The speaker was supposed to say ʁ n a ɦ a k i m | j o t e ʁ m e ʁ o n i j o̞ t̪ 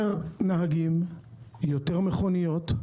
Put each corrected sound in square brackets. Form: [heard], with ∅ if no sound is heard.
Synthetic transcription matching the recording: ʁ n a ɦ a [ɡ] i m | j o t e ʁ m e [χ] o n i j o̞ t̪